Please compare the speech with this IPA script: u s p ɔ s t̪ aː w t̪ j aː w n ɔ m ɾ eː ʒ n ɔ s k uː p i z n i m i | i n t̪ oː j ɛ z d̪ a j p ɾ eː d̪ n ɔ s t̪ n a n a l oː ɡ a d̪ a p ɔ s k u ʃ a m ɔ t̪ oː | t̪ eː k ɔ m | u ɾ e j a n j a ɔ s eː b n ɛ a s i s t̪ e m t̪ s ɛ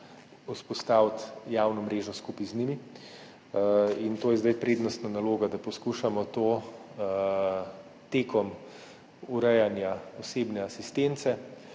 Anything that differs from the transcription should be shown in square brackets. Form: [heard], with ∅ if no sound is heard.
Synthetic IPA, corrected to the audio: u s p ɔ s t̪ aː w t̪ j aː w n ɔ m ɾ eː ʒ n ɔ s k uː p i z n i m i | i n t̪ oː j ɛ z d̪ a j p ɾ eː d̪ n ɔ s t̪ n a n a l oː ɡ a d̪ a p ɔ s k u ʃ a m ɔ t̪ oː | t̪ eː k ɔ m | u ɾ [ɛ] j a n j a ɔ s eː b n ɛ a s i s t̪ e [n] t̪ s ɛ